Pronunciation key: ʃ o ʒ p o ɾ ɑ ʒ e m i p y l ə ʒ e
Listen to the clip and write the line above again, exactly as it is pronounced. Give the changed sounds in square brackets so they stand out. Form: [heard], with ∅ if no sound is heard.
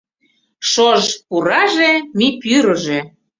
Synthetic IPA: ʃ o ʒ p [u] ɾ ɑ ʒ e m i p y [ɾ] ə ʒ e

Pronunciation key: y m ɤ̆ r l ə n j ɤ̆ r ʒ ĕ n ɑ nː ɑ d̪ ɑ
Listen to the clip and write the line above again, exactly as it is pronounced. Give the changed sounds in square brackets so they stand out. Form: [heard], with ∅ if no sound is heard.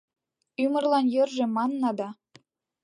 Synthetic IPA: y m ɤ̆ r l [ɑ] n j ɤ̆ r ʒ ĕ [m] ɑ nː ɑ d̪ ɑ

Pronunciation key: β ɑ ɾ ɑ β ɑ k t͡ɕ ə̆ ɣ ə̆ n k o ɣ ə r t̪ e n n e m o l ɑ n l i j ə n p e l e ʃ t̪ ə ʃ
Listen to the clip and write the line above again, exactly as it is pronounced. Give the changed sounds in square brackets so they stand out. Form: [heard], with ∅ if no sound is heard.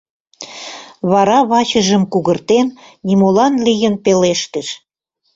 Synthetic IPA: β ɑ ɾ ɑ β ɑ [∅] t͡ɕ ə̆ [ʒ] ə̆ [m] k [u] ɣ ə r t̪ e n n [i] m o l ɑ n l i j ə n p e l e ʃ t̪ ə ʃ

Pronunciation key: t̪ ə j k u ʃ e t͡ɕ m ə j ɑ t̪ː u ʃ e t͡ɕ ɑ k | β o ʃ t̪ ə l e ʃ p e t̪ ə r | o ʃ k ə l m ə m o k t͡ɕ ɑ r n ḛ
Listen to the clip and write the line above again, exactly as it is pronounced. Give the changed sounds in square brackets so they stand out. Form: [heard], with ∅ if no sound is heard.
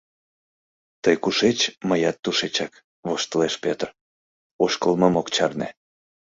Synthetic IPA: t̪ ə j k u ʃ e t͡ɕ m ə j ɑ t̪ː u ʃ e t͡ɕ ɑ k | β o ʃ t̪ ə l e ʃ p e t̪ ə r | o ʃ k ə l m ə m o k t͡ɕ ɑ r n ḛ

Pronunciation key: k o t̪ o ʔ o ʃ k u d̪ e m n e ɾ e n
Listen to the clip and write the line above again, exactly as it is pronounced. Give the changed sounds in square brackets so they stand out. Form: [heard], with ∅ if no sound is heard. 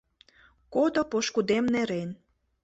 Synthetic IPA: k o [d̪] o [p] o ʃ k u d̪ e m n e ɾ e n

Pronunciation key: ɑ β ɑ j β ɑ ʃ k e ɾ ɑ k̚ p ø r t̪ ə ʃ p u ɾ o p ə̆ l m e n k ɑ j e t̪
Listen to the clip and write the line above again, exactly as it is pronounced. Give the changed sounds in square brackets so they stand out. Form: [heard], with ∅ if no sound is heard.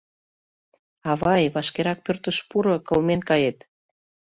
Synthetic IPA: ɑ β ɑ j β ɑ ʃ k e ɾ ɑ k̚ p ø r t̪ ə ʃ p u ɾ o [k] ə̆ l m e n k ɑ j e t̪

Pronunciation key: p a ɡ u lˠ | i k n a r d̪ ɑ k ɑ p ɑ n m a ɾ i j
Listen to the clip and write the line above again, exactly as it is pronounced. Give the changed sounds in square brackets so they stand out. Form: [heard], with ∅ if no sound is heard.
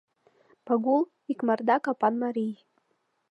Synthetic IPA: p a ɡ u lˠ | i k [m] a r d̪ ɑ k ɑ p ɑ n m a ɾ i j

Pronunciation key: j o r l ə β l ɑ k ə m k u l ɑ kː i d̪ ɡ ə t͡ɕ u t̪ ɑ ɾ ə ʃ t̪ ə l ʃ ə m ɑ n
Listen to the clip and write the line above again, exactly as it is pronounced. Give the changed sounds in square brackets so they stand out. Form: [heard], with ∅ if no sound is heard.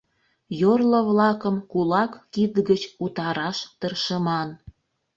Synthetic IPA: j o r l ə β l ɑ k ə m k u l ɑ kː i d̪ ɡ ə t͡ɕ u t̪ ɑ ɾ [ɑ] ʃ t̪ ə [r] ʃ ə m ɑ n

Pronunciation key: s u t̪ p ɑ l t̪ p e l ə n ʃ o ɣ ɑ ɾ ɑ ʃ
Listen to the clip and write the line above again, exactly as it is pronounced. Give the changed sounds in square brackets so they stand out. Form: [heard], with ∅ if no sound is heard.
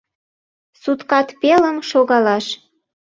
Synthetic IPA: s u t̪ [k] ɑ [∅] t̪ p e l ə [m] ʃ o ɣ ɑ [l] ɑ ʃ

